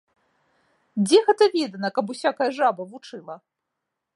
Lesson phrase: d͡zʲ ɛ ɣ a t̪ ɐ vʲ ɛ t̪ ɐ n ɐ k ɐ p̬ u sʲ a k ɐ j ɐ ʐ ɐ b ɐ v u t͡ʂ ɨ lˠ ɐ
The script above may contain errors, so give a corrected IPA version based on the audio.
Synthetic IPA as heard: d͡zʲ ɛ ɣ ɛ t̪ ɐ vʲ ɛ d̪ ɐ n ɐ k ɐ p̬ u sʲ a k ɐ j ɐ ʐ a b ɐ v u t͡ʂ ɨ lˠ ɐ